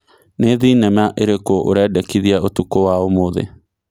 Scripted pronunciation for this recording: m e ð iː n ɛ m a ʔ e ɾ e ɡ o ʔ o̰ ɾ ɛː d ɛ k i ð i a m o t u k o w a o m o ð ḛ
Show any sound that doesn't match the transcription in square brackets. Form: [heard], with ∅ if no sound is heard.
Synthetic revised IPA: [n] e ð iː n ɛ m a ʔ e ɾ e [k] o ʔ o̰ ɾ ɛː d ɛ k i ð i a [∅] o t u k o w a o m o ð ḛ

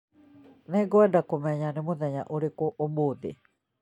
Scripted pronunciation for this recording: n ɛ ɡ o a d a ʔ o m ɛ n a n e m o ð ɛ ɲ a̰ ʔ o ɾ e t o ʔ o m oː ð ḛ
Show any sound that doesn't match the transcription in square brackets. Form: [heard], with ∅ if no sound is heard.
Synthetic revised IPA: n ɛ ɡ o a d a [k] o m ɛ [ɲ] a n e m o ð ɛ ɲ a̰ ʔ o ɾ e [k] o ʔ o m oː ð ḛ

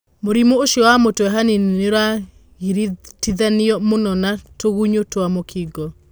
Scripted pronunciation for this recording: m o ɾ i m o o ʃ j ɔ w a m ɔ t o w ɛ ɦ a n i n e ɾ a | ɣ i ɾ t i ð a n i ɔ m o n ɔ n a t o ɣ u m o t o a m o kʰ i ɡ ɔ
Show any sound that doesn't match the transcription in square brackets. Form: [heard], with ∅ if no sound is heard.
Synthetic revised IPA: m o ɾ i m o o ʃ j ɔ w a m [o] t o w ɛ ɦ a n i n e ɾ a | ɣ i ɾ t i ð a n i ɔ m o n ɔ n a t o ɣ u [ɲ] o t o a m o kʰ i ɡ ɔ

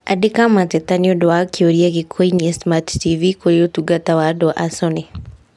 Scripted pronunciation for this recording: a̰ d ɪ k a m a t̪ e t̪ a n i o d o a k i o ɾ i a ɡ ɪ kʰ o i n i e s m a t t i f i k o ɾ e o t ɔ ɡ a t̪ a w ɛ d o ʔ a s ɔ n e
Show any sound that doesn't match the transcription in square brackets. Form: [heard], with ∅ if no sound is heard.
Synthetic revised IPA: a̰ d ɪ k a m a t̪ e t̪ a n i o d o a k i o ɾ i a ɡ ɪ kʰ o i n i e s m a t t i [v] i k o ɾ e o t [u] ɡ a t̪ a w [a] d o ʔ a s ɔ n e

